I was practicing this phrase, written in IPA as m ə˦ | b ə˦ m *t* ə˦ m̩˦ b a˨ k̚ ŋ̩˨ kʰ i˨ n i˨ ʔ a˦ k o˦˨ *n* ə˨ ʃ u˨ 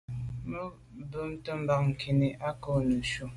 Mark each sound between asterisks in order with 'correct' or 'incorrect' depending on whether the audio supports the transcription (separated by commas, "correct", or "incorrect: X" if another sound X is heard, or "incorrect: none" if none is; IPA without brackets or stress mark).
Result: correct, correct